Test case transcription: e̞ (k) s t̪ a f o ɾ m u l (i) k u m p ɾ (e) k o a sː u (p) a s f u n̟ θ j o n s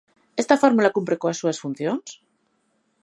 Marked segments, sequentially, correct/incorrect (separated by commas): incorrect, incorrect, correct, incorrect